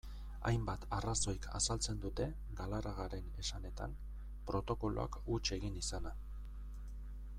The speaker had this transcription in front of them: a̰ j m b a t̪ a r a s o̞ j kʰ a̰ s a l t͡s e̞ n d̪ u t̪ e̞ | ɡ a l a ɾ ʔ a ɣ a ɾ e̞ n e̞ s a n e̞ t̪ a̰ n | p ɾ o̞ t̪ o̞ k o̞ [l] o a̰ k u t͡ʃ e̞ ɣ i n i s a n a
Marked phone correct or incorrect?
correct